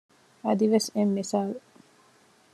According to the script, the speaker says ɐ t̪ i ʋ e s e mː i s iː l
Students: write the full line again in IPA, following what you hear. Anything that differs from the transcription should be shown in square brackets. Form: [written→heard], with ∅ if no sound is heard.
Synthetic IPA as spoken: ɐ [t̪→d̪] i ʋ e s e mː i s [iː→aː] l